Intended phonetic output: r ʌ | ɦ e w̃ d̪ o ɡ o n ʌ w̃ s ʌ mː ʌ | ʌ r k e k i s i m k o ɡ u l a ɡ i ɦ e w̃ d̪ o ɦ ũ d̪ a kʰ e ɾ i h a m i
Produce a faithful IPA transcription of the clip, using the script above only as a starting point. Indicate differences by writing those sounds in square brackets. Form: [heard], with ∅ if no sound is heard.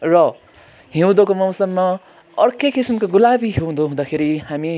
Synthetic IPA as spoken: r ʌ | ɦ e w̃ d̪ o [k] o [m] ʌ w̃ s ʌ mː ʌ | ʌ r k e k i s i m k o ɡ u l a [b] i ɦ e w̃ d̪ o ɦ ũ d̪ a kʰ e ɾ i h a m i

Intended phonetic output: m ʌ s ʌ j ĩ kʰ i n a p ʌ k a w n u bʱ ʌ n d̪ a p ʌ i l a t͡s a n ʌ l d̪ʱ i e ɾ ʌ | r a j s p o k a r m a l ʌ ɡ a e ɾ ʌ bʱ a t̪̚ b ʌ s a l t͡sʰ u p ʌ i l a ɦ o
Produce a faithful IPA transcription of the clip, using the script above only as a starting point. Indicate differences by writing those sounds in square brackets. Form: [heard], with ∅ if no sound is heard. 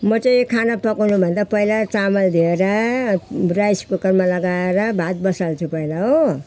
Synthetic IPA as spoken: m ʌ [t͡s] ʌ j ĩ kʰ [a] n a p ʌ k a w n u bʱ ʌ n d̪ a p ʌ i l a t͡s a [m] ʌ l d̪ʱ i e ɾ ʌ | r a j s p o k [ʌ] r m a l ʌ ɡ a e ɾ ʌ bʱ a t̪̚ b ʌ s a l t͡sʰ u p ʌ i l a ɦ o

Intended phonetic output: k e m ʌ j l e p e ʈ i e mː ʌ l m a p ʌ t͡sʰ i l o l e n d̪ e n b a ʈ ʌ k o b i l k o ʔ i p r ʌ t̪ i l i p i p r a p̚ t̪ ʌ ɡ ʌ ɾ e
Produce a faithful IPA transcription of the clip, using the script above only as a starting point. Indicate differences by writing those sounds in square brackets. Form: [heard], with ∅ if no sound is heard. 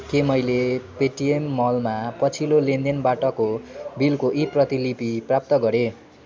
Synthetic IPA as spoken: k e m ʌ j l e p e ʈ i e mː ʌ l m a p ʌ t͡sʰ i l o l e n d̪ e n b a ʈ ʌ k o b i l k o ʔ i p r ʌ t̪ i l i p i p r a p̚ t̪ ʌ ɡ ʌ ɾ e

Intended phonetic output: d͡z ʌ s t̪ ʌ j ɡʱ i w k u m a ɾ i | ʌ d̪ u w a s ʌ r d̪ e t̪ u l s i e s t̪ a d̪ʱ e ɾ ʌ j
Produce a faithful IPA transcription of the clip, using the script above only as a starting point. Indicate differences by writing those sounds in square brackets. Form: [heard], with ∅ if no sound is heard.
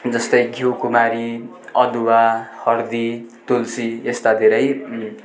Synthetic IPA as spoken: d͡z ʌ s t̪ ʌ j ɡʱ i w k u m a ɾ i | ʌ d̪ u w a [h] ʌ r d̪ [i] t̪ u l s i e s t̪ a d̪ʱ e ɾ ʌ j

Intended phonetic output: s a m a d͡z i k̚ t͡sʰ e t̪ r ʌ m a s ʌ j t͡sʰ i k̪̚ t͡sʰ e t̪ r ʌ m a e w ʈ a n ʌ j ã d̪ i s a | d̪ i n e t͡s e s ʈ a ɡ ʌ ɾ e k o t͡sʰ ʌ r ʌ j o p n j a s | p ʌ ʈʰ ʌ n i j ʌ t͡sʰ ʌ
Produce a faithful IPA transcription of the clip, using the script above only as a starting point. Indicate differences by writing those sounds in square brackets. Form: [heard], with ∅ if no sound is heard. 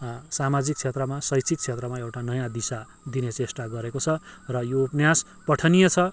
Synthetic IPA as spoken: s a m a d͡z i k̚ t͡sʰ e t̪ r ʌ m a s ʌ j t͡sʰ i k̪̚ t͡sʰ e t̪ r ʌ m a e w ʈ a n ʌ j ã d̪ i s a | d̪ i n e t͡s e s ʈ a ɡ ʌ ɾ e k o t͡sʰ ʌ r ʌ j o p n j a s | p ʌ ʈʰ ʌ n i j ʌ t͡sʰ ʌ

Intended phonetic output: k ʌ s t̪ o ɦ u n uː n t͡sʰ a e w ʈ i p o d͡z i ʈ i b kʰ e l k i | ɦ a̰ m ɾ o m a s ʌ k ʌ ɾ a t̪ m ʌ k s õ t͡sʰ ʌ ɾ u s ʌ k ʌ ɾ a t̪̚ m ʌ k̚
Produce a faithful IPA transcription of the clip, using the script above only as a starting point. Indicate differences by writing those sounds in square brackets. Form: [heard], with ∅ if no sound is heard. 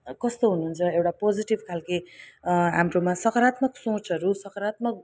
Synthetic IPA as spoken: k ʌ s t̪ o ɦ u n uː n t͡sʰ [ʌ] e w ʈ [a] p o d͡z i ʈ i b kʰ [a] l k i | ɦ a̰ m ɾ o m a s ʌ k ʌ ɾ a t̪ m ʌ k s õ [t͡s] ʌ ɾ u s ʌ k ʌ ɾ a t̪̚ m ʌ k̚

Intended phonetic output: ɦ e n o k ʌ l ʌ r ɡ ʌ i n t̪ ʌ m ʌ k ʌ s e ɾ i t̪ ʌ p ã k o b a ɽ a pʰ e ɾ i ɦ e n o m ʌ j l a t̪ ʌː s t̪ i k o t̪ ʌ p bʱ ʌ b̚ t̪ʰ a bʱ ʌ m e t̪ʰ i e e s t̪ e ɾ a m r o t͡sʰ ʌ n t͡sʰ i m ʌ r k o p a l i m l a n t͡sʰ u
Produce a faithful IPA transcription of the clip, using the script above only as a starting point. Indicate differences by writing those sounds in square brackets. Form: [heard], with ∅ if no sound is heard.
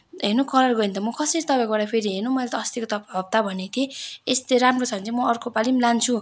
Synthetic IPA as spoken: ɦ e n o k ʌ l ʌ r ɡ ʌ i n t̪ ʌ m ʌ k ʌ s e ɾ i t̪ ʌ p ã k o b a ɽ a pʰ e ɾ i ɦ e n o m ʌ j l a t̪ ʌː s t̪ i k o t̪ ʌ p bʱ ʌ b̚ [t̪] a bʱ ʌ [n] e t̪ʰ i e e s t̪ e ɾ a m r o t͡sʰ ʌ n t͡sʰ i m ʌ r k o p a l i m l a n t͡sʰ u

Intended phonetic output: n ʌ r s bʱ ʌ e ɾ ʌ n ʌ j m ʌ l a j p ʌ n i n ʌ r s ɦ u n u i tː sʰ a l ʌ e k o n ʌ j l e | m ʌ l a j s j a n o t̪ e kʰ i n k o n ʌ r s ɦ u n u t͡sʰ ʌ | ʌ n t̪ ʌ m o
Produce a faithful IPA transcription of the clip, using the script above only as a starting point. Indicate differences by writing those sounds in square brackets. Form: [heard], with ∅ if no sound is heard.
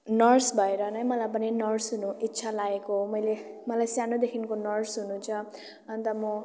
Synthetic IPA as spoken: n ʌ r s bʱ ʌ e ɾ ʌ n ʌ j m ʌ l a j p ʌ n i n ʌ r s ɦ u n u i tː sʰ a l [a] e k o [m] ʌ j l e | m ʌ l a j s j a n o [d̪] e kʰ i n k o n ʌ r s ɦ u n u t͡sʰ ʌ | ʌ n t̪ ʌ m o

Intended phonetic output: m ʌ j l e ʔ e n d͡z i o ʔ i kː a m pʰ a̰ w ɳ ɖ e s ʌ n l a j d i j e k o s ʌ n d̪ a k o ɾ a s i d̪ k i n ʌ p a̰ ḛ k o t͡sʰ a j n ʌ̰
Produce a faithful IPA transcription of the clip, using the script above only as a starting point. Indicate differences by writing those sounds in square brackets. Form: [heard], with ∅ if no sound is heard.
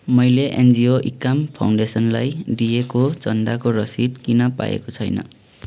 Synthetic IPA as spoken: m ʌ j l e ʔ e n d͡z i o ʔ i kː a m pʰ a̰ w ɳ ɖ e s ʌ n l a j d i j e k o [t͡s] ʌ n d̪ a k o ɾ [ʌ] s i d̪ k i n ʌ p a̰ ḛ k o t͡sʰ [ʌ] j n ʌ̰

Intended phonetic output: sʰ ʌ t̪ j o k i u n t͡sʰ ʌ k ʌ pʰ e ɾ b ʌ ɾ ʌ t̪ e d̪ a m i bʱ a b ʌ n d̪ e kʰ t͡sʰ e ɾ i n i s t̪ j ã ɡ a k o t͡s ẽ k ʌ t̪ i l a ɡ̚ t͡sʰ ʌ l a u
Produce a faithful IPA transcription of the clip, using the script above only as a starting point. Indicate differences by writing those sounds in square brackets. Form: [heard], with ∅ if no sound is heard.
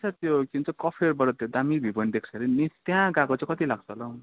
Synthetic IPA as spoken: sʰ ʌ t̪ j o k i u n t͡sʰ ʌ k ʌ pʰ e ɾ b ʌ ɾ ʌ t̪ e d̪ a m i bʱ [i] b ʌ n d̪ e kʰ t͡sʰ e ɾ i n i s t̪ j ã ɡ a k o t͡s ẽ k ʌ t̪ i l a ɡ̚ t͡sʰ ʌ l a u

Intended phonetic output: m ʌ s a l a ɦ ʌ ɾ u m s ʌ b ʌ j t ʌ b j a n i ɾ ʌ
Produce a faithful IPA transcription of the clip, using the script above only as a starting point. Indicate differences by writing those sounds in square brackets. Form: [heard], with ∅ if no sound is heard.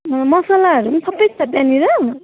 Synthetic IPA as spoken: m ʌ s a l a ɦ ʌ ɾ u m s ʌ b ʌ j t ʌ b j a n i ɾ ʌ

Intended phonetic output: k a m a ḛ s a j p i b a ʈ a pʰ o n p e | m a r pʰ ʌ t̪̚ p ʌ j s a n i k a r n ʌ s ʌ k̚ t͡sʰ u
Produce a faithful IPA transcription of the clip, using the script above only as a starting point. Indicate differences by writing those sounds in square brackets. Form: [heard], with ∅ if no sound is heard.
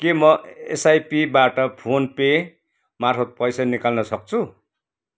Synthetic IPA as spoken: k [e] m [ʌ] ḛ s a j p i b a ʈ [ʌ] pʰ o n p e | m a r pʰ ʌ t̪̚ p ʌ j s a n i k a [l] n ʌ s ʌ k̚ t͡sʰ u

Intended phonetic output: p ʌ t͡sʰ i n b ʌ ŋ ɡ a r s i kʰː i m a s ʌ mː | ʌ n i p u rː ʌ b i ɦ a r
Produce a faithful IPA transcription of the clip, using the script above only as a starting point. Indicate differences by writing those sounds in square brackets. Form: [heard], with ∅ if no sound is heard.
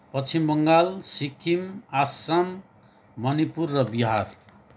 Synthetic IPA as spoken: p ʌ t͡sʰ i [m] b ʌ ŋ ɡ a [l] s i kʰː i m a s [a] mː | ʌ n i p u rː ʌ b i ɦ a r

